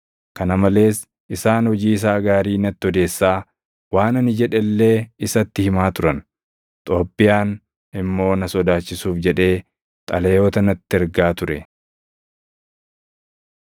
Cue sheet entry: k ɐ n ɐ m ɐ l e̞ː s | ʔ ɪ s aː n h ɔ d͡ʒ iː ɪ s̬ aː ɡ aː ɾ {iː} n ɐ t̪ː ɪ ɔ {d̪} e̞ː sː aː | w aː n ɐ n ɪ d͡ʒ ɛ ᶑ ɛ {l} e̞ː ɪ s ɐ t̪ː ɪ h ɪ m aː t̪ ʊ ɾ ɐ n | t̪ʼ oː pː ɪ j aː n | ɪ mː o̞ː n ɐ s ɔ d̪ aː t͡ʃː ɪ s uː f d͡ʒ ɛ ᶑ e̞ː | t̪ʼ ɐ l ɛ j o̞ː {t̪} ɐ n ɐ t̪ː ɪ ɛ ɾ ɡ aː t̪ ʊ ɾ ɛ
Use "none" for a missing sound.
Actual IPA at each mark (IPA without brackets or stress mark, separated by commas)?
iː, d̪, lː, t̪